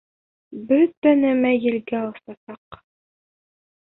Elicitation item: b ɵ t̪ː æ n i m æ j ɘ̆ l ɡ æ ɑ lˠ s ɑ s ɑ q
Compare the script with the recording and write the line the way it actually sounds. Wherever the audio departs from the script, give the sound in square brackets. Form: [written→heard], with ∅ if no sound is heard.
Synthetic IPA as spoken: b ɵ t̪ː æ n [i→æ] m æ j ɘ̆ l ɡ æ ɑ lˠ s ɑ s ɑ q